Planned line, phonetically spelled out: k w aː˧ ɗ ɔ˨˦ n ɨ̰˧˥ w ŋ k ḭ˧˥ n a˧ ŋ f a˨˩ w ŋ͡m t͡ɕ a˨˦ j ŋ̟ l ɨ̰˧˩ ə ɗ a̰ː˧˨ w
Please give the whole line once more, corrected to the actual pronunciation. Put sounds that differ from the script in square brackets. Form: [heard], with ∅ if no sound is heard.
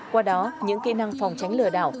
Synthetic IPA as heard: k w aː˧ ɗ ɔ˨˦ [ɲ] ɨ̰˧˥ [∅] ŋ k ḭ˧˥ n a˧ ŋ f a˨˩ w ŋ͡m t͡ɕ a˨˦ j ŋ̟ l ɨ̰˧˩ ə ɗ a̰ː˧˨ w